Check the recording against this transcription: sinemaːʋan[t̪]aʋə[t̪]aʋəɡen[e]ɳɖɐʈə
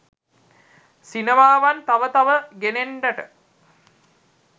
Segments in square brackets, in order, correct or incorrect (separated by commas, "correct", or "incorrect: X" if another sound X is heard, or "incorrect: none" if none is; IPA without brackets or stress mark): correct, correct, correct